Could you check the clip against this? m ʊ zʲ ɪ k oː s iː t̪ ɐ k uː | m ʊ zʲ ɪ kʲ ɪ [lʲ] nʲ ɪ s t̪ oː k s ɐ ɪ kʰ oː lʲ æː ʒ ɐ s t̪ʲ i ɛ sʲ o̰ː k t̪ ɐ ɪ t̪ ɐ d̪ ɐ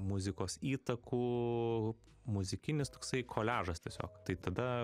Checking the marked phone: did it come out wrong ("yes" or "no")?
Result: yes